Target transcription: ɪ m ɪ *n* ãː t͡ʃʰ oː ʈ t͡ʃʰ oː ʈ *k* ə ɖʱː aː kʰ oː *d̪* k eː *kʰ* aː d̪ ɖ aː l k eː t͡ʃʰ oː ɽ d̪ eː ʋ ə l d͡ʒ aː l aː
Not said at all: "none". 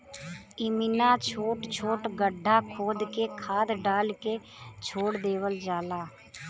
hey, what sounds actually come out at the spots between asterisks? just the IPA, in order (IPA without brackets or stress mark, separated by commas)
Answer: n, ɡ, d̪, kʰ